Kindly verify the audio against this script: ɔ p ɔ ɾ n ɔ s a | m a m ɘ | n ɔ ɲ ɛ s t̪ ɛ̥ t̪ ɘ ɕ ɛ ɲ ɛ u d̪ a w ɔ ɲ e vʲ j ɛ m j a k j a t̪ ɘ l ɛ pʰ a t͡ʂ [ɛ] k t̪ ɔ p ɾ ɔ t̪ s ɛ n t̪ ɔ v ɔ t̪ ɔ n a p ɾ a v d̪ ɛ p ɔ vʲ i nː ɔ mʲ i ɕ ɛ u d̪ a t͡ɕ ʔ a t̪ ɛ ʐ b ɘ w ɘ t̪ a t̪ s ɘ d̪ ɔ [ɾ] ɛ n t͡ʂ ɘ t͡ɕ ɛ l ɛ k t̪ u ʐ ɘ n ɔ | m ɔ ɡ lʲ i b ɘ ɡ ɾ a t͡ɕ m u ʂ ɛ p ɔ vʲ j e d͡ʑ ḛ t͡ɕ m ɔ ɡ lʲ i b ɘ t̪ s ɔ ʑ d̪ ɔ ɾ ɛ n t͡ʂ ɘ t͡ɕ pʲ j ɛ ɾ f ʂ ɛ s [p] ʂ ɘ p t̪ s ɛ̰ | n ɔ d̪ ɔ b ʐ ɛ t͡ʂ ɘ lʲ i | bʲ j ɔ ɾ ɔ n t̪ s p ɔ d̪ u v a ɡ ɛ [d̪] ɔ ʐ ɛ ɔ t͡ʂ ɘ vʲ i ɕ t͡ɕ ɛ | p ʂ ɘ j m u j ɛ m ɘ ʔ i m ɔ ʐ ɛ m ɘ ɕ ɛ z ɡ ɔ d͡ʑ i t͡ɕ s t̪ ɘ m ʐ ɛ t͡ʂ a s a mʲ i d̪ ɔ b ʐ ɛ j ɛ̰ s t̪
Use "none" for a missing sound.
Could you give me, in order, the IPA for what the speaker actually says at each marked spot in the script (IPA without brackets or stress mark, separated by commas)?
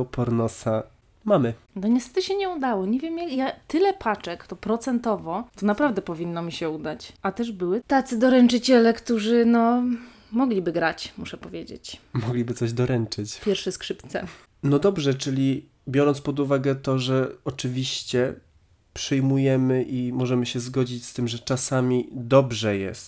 ɛ, ɾ, k, t̪